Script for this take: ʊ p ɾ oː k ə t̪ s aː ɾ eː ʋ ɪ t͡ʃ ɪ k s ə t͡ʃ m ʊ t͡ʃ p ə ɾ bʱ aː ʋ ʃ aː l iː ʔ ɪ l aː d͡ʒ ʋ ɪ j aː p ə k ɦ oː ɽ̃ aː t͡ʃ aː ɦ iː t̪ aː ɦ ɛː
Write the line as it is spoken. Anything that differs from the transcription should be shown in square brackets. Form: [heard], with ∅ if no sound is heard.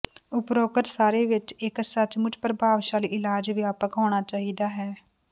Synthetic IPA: ʊ p ɾ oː k ə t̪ s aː ɾ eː ʋ ɪ t͡ʃ ɪ k s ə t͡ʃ m ʊ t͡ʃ p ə ɾ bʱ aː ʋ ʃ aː l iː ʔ ɪ l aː d͡ʒ ʋ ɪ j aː p ə k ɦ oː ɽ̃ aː t͡ʃ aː ɦ iː [d̪] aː ɦ ɛː